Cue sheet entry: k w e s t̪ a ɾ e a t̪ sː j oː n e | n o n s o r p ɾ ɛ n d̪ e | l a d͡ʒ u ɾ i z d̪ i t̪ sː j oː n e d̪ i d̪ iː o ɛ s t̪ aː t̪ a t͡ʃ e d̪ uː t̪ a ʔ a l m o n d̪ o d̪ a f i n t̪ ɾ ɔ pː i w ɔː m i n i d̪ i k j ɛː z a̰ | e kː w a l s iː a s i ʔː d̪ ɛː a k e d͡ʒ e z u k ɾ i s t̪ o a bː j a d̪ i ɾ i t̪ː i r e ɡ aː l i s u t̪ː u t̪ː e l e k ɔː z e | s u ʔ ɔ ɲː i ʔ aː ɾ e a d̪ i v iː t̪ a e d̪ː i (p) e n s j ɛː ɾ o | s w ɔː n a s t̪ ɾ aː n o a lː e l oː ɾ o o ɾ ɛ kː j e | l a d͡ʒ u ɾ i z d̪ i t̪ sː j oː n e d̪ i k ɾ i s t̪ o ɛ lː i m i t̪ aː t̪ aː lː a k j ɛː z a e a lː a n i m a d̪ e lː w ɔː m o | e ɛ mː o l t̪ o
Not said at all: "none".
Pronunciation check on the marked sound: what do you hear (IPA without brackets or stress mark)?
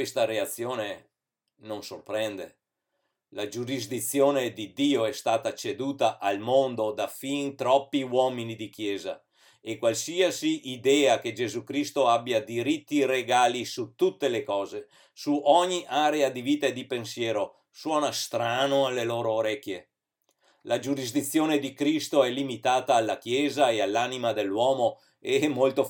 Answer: p